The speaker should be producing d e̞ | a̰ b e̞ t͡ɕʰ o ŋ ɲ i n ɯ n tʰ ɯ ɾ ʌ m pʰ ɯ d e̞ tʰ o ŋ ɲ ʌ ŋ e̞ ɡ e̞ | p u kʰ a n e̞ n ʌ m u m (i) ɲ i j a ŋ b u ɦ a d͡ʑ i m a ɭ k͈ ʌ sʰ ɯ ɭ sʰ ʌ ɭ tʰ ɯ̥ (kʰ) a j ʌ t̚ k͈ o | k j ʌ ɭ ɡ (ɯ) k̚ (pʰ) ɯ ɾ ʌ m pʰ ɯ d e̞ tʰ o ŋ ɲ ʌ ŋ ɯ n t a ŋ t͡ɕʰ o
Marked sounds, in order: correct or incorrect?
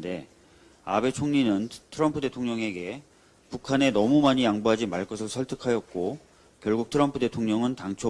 incorrect, correct, incorrect, incorrect

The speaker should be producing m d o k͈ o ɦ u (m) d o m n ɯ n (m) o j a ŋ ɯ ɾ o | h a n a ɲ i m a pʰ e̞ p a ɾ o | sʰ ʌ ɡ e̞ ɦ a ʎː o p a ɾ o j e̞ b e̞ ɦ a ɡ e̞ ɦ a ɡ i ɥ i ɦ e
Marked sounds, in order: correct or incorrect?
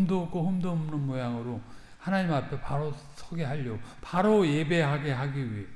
correct, correct

